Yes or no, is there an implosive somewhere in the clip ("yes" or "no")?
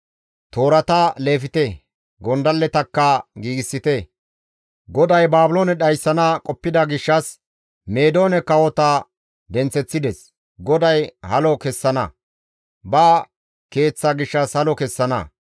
yes